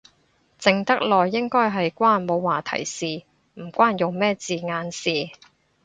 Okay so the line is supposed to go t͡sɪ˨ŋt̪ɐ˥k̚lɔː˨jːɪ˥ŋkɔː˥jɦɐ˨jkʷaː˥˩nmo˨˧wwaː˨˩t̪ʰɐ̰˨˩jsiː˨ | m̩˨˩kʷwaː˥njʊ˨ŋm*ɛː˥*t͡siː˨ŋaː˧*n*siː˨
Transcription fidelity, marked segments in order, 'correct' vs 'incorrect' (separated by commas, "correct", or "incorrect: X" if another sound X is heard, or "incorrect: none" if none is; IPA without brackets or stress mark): correct, correct